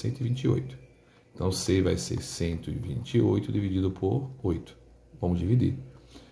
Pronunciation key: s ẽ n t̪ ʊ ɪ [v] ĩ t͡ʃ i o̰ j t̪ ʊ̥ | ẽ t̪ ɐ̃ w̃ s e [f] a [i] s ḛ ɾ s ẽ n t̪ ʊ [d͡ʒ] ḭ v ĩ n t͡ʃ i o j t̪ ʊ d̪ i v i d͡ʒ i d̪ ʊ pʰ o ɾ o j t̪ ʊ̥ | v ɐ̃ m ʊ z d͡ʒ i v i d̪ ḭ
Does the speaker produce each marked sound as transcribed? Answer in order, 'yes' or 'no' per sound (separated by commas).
yes, no, no, no